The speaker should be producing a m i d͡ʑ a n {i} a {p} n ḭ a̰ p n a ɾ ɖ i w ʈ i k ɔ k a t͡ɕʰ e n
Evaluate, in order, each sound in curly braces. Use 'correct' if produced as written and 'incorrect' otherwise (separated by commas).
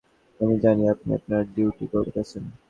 correct, correct